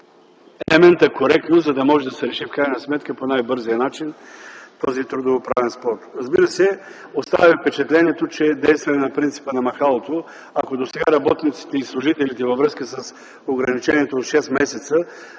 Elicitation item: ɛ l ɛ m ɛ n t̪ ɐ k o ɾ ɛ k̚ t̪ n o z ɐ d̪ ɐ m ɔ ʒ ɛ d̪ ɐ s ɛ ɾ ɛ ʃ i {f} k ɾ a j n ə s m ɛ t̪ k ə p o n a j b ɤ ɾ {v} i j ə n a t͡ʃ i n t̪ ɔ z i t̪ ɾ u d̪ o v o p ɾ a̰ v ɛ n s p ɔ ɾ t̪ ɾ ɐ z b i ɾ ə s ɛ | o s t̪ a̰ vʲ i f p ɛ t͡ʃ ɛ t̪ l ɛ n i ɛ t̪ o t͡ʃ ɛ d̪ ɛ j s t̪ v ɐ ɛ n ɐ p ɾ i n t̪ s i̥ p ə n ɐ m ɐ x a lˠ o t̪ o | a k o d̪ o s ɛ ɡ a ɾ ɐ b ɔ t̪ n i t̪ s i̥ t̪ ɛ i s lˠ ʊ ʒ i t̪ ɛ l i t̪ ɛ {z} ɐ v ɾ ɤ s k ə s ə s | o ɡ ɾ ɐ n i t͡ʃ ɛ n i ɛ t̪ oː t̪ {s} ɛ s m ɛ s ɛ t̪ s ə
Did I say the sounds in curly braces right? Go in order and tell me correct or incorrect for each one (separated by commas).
correct, incorrect, incorrect, incorrect